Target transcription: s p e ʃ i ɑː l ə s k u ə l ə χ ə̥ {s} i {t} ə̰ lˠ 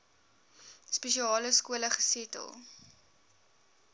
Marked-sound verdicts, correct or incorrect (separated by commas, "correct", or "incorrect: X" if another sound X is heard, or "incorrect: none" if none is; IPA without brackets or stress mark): correct, correct